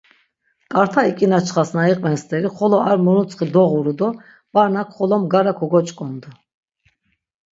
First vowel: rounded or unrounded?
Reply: unrounded